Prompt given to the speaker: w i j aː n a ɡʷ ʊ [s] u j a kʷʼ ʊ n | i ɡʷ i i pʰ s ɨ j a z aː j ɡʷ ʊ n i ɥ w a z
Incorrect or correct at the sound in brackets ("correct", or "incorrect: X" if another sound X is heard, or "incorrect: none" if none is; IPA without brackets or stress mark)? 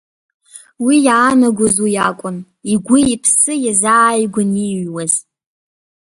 incorrect: z